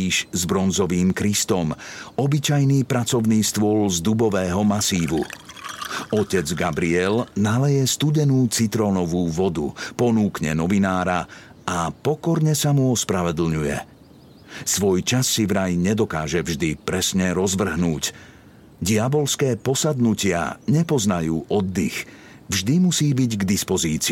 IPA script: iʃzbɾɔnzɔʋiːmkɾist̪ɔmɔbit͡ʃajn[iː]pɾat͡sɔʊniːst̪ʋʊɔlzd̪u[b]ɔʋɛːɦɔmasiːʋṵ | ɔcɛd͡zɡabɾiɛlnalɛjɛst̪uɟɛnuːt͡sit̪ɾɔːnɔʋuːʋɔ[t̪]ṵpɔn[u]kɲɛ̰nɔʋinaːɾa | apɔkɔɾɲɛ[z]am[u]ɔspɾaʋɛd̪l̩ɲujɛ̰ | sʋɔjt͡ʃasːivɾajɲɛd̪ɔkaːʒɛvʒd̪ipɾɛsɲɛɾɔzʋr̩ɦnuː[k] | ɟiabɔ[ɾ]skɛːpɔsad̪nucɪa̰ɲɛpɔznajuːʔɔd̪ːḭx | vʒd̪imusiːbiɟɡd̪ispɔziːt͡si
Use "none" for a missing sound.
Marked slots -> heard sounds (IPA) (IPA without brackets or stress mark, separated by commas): iː, b, d̪, uː, s, u, c, l